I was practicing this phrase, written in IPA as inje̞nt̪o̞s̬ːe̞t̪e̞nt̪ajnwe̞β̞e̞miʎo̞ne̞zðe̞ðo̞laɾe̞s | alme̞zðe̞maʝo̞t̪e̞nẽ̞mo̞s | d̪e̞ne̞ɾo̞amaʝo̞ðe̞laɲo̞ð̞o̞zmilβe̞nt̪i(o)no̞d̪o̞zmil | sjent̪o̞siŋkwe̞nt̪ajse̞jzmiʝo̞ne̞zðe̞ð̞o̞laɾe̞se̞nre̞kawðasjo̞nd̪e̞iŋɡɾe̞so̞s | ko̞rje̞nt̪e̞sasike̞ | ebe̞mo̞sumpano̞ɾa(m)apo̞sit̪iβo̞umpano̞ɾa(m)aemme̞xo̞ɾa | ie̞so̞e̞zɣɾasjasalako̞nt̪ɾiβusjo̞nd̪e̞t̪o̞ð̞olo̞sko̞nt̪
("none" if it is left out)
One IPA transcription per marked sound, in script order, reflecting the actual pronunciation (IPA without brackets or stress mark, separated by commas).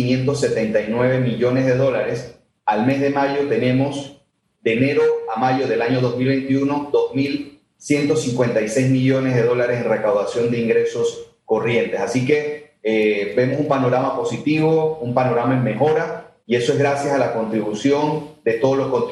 u, m, m